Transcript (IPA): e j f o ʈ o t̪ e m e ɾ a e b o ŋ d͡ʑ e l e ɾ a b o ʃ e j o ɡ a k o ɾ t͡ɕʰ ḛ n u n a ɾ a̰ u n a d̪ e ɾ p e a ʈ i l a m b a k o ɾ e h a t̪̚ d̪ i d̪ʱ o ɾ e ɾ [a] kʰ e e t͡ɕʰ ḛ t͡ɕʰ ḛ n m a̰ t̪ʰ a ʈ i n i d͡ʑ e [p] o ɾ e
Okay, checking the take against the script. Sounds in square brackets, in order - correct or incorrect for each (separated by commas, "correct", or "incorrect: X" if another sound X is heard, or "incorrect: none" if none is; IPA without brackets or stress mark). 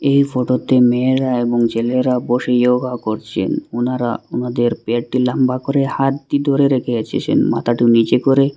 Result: incorrect: e, incorrect: k